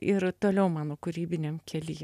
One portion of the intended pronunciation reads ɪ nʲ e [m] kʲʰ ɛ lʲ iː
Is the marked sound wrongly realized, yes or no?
no